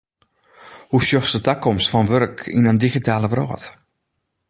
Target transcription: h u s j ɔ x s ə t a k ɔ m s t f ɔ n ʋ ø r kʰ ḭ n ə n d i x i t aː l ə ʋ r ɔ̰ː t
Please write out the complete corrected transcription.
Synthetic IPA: h u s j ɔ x s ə t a k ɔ m s t f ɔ n ʋ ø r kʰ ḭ n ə n d i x i t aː l ə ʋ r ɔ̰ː t